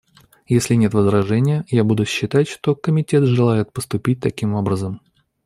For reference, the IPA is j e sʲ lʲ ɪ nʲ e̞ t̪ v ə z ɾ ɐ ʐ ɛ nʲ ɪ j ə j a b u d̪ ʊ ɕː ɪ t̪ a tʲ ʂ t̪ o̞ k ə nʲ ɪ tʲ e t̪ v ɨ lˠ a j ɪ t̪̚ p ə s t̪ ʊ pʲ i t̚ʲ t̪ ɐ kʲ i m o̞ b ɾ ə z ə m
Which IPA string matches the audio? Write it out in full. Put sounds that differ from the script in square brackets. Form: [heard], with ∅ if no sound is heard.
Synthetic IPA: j e sʲ lʲ ɪ nʲ e̞ t̪ v ə z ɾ ɐ ʐ ɛ nʲ ɪ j ə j a b u d̪ ʊ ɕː ɪ t̪ a tʲ ʂ t̪ o̞ k ə [mʲ] ɪ tʲ e t̪ [ʐ] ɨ lˠ a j ɪ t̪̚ p ə s t̪ ʊ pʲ i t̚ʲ t̪ ɐ kʲ i m o̞ b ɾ ə z ə m